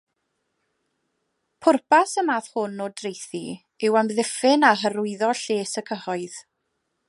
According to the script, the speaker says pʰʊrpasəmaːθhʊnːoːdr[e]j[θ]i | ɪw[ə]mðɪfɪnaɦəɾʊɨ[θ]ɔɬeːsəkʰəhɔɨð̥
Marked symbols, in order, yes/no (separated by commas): yes, yes, no, no